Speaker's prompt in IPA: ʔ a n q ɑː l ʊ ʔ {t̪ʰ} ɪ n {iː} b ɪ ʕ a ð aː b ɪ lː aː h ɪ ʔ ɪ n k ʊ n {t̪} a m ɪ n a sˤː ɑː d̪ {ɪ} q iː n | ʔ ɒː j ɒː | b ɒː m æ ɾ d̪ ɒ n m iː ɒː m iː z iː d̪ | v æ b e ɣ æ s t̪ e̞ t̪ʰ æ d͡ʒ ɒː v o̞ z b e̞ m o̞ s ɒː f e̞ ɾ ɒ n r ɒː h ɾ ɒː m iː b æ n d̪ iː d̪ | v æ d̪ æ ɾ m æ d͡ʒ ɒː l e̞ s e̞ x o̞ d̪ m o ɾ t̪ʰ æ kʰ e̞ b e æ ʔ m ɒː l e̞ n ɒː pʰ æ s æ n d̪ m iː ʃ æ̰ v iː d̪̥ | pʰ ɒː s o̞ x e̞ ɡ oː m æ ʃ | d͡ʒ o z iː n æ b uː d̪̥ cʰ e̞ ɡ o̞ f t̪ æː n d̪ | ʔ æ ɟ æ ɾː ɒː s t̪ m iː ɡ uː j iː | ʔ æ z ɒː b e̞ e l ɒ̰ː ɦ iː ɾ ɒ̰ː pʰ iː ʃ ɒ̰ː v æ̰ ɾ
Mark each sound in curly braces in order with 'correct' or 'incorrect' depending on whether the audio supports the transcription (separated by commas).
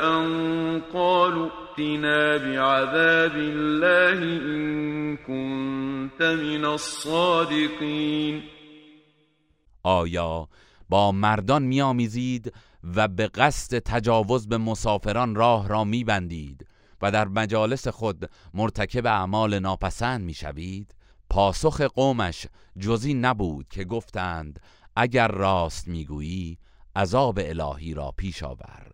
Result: incorrect, incorrect, correct, correct